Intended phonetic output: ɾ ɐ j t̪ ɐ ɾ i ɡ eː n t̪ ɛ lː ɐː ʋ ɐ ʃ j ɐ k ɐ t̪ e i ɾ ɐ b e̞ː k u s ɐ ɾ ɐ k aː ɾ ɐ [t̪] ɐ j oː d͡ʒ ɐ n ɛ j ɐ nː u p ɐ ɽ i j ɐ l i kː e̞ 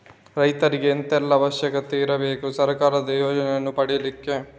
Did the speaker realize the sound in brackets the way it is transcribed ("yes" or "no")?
no